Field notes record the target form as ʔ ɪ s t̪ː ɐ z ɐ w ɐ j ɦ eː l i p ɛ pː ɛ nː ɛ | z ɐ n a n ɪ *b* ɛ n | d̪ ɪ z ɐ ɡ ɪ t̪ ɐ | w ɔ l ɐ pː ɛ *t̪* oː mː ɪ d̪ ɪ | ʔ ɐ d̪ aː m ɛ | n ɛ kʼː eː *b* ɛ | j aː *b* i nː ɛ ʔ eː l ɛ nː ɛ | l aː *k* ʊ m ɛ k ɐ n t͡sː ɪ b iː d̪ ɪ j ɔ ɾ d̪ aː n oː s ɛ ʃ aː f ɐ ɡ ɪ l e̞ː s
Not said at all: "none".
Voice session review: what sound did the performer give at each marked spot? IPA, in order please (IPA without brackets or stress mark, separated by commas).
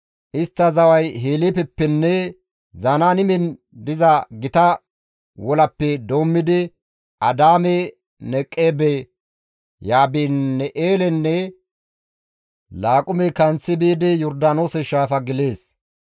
m, d̪, b, b, kʼ